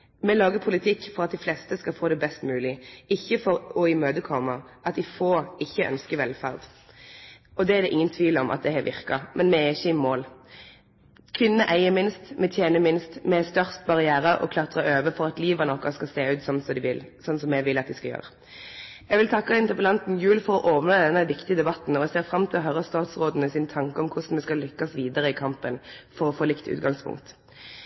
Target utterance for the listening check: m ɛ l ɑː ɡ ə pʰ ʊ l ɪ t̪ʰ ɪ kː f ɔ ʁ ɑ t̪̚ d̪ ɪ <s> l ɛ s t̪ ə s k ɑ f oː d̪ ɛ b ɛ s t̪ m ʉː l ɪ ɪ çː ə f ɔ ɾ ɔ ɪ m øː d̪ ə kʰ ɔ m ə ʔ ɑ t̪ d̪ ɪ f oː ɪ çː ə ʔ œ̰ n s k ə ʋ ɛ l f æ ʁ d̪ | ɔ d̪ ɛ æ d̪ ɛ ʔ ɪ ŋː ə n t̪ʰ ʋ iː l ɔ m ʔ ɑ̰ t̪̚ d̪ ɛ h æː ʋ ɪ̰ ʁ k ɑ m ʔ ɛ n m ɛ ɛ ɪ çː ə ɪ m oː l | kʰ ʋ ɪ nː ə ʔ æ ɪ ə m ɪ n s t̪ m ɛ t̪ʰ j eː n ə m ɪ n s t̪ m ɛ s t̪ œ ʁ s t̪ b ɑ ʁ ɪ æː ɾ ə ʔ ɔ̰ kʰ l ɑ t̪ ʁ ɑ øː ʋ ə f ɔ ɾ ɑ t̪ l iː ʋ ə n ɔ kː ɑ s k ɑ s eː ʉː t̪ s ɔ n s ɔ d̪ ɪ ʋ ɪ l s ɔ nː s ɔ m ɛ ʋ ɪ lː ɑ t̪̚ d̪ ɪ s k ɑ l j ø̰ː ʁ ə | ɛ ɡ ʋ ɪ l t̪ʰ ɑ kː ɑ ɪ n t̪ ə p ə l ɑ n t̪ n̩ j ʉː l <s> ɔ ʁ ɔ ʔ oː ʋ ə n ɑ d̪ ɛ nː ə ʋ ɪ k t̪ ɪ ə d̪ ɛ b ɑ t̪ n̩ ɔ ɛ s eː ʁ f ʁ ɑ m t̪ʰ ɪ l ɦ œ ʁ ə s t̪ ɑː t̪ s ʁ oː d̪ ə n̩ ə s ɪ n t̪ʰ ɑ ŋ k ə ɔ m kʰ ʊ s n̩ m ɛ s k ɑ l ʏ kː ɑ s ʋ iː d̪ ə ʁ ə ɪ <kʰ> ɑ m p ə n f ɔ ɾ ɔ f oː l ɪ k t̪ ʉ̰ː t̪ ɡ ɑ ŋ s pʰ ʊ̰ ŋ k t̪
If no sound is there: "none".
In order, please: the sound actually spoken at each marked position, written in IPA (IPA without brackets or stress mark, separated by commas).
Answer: f, f, kʰ